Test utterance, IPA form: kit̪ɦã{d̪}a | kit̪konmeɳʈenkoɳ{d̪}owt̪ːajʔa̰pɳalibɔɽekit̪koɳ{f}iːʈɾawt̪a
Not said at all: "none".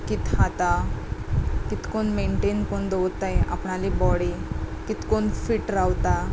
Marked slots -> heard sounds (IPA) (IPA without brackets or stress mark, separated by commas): t̪, d̪, f